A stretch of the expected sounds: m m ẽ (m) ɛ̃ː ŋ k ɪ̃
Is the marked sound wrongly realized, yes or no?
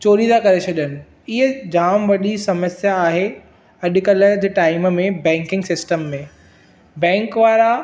yes